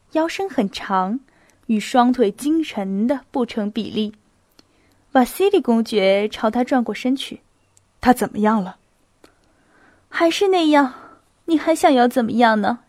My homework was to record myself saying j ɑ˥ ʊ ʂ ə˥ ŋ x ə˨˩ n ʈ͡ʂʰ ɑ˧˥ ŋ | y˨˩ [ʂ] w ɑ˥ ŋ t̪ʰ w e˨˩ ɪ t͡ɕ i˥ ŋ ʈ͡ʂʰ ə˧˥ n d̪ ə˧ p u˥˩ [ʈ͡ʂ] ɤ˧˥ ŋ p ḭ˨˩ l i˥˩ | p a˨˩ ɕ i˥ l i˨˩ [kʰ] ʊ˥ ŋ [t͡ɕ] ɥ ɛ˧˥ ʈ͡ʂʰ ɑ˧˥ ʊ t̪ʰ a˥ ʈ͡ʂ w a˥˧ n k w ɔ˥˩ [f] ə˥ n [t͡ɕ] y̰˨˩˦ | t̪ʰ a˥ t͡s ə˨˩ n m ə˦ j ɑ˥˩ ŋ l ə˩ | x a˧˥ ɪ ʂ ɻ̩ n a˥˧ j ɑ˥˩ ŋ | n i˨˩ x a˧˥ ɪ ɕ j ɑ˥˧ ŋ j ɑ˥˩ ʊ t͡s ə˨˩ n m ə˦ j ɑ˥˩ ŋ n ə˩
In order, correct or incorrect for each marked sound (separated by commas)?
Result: correct, incorrect, incorrect, correct, incorrect, incorrect